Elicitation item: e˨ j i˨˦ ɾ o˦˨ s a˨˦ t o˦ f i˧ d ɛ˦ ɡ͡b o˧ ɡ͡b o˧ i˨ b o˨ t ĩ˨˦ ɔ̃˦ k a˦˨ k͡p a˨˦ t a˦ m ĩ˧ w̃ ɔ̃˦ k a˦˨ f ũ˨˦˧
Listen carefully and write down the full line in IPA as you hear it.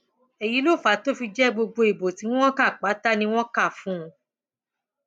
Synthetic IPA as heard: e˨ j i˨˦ l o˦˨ f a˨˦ t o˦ f i˧ d͡ʒ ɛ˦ ɡ͡b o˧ ɡ͡b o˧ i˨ b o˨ t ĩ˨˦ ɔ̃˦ k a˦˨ k͡p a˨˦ t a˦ n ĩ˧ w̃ ɔ̃˦ k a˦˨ f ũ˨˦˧